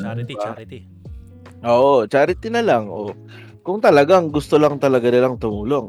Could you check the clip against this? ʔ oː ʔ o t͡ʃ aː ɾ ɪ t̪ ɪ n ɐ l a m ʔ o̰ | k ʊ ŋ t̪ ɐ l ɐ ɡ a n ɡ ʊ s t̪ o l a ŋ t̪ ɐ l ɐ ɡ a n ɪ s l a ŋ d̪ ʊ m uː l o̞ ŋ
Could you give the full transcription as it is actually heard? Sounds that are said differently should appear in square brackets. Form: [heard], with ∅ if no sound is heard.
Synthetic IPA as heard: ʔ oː ʔ o t͡ʃ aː ɾ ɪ t̪ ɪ n ɐ l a [ŋ] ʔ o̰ | k ʊ ŋ t̪ ɐ l ɐ ɡ a [ŋ] ɡ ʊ s t̪ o l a ŋ t̪ ɐ l ɐ ɡ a n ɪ [∅] l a ŋ [t̪] ʊ m uː l o̞ ŋ